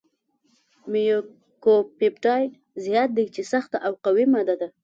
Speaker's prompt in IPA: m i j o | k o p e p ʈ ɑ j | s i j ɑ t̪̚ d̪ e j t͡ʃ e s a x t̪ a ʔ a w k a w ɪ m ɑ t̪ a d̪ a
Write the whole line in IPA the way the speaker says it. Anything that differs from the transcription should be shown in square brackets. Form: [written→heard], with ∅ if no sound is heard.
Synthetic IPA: m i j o | k o p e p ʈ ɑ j | [s→z] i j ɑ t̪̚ d̪ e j t͡ʃ e s a x t̪ a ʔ a w [k→q] a w [ɪ→i] m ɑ [t̪→d̪] a d̪ a